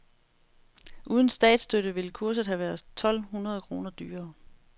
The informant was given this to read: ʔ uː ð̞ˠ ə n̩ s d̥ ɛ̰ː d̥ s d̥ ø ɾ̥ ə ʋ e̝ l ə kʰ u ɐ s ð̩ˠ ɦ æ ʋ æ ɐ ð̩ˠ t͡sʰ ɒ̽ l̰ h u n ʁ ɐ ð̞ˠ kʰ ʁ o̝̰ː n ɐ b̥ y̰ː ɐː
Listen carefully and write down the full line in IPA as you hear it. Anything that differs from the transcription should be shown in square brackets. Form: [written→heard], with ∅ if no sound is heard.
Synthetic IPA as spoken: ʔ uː ð̞ˠ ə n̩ s d̥ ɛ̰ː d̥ s d̥ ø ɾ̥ ə ʋ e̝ l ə kʰ u ɐ s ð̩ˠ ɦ æ ʋ æ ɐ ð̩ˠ t͡sʰ ɒ̽ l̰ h u n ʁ ɐ ð̞ˠ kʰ ʁ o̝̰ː n ɐ [b̥→d̥] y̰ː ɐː